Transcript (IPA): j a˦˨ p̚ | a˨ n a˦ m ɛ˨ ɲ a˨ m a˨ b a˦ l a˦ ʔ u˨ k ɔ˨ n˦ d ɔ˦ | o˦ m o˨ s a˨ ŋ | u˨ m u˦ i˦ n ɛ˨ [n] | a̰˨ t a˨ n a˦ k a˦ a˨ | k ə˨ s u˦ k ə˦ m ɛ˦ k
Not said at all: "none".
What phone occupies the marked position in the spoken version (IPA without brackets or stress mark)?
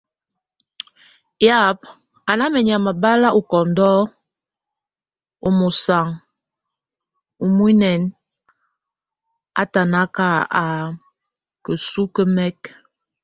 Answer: n